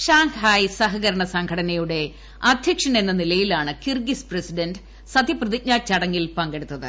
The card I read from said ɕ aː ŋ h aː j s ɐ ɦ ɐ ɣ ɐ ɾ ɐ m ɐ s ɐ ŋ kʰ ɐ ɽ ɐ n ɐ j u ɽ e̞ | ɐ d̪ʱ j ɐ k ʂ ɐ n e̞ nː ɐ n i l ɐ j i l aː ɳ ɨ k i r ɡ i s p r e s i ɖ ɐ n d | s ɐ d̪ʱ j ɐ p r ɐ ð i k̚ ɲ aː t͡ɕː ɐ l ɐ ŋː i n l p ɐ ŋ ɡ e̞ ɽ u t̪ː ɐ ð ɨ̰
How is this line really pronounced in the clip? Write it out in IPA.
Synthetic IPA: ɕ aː ŋ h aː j s ɐ ɦ ɐ ɣ ɐ ɾ ɐ ɳ ɐ s ɐ ŋ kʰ ɐ ɽ ɐ n ɐ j u ɽ e̞ | ɐ d̪ʱ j ɐ k ʂ ɐ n e̞ nː ɐ n i l ɐ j i l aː ɳ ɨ k i r ɡ i s p r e s i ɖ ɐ n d | s ɐ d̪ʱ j ɐ p r ɐ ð i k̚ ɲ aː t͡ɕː ɐ ɽ ɐ ŋː i l p ɐ ŋ ɡ e̞ ɽ u t̪ː ɐ ð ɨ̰